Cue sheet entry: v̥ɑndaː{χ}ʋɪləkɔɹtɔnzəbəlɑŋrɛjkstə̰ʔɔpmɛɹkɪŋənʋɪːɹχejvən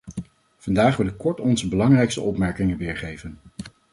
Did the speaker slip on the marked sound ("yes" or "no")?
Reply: no